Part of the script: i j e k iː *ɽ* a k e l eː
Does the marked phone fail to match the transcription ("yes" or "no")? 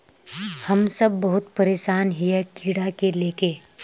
no